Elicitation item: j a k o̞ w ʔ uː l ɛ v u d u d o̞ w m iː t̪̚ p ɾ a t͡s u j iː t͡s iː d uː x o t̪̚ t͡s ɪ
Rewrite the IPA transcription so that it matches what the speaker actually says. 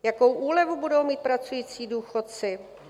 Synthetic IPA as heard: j a k o̞ w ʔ uː l ɛ v u b u d o̞ w m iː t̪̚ p ɾ a t͡s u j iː t͡s iː d uː x o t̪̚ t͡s ɪ